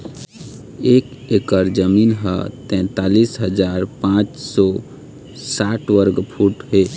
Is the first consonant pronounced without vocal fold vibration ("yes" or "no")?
yes